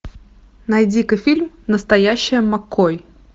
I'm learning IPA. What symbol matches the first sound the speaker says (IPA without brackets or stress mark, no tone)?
n